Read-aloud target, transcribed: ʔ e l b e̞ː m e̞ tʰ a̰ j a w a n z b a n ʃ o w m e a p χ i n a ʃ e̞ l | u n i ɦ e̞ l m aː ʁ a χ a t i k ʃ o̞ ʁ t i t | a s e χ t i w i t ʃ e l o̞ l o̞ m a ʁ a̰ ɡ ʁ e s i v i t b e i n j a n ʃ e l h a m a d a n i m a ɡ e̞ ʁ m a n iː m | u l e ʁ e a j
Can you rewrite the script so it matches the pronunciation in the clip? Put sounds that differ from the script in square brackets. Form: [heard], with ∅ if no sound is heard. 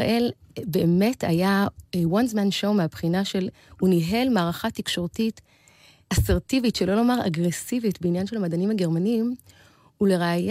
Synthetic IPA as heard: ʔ e l b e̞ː m e̞ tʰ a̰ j a w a n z [m] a n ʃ o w m e a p χ i n a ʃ e̞ l | u n i ɦ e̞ l m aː ʁ a χ a t i k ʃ o̞ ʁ t i t | a s e [ʁ] t i [v] i t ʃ e l o̞ l o̞ m a ʁ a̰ ɡ ʁ e s i v i t b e i n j a n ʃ e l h a m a d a n i m a ɡ e̞ ʁ m a n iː m | u l e ʁ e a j